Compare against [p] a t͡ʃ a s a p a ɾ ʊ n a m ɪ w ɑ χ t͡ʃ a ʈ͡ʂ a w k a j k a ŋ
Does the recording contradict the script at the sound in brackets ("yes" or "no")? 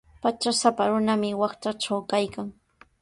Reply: no